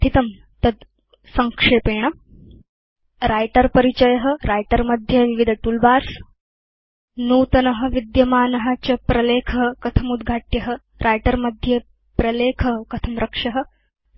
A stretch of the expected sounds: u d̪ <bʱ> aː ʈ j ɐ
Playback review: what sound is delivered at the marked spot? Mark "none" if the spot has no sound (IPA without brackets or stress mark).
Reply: ɡʱ